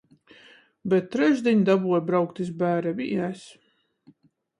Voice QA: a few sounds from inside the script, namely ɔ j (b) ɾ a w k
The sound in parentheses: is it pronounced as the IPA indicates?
yes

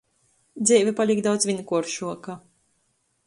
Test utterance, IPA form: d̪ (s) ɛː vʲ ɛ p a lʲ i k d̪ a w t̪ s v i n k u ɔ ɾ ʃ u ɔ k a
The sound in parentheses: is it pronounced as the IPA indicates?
no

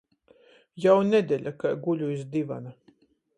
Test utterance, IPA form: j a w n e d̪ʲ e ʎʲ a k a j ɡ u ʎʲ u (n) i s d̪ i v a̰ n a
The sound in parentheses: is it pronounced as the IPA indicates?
no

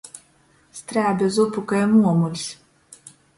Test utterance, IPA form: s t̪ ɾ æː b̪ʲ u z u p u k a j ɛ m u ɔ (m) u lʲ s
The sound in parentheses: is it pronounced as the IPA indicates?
yes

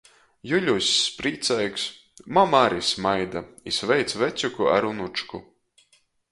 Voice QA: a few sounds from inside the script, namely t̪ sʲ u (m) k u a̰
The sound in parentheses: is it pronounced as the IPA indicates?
no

